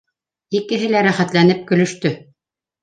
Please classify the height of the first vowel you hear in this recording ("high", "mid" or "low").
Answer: high